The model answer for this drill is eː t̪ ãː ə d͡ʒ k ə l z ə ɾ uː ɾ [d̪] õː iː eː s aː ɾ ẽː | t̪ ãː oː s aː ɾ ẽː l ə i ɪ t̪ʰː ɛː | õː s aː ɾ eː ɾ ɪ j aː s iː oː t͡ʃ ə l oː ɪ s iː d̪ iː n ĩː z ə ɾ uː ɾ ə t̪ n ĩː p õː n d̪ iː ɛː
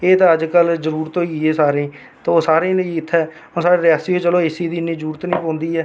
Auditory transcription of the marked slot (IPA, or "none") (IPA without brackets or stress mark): t̪